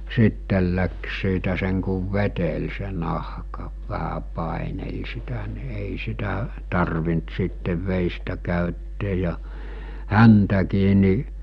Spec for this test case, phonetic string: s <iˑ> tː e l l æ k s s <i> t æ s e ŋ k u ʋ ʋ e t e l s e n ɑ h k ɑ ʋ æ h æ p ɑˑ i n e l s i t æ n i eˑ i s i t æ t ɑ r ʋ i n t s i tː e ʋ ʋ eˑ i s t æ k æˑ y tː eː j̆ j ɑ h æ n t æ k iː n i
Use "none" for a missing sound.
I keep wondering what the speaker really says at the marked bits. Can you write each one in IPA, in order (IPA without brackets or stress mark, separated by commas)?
iˑ, iː